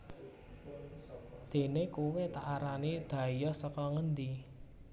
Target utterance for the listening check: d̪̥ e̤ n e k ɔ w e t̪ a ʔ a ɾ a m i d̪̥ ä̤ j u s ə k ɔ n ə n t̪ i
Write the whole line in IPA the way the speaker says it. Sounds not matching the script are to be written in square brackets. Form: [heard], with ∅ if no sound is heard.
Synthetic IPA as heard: d̪̥ e̤ n e k [u] w e t̪ a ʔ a ɾ a [n] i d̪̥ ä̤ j [ɔ] s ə k ɔ [ŋ] ə n [d̪] i